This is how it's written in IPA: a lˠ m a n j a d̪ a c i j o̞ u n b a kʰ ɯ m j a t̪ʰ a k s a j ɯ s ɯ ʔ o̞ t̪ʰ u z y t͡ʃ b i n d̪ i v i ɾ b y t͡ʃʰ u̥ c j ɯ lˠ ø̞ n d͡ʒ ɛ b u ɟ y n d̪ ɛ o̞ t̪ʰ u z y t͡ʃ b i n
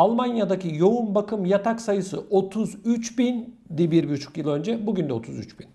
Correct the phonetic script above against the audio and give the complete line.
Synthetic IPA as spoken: a lˠ m a n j a d̪ a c i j o̞ u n b a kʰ ɯ m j a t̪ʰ a k s a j ɯ s ɯ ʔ o̞ t̪ʰ u z y t͡ʃ b i n d̪ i b i ɾ b y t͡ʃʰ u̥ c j ɯ lˠ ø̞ n d͡ʒ ɛ b u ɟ y n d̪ ɛ o̞ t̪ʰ u z y t͡ʃ b i n